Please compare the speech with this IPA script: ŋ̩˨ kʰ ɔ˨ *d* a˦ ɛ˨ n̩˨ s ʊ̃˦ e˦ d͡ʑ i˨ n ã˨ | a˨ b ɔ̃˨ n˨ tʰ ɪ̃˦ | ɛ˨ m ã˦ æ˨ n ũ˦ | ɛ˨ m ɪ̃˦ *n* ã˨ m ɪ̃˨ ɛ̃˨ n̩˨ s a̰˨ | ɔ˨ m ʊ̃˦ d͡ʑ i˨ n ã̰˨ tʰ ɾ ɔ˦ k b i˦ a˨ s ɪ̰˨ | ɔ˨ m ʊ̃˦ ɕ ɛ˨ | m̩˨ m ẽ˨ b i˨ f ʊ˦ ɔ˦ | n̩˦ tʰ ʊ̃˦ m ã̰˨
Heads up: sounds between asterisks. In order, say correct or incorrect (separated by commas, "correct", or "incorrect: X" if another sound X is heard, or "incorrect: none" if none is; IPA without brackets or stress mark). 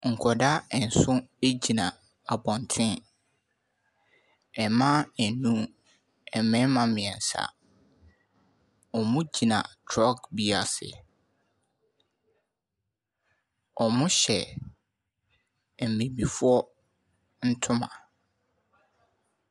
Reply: correct, incorrect: m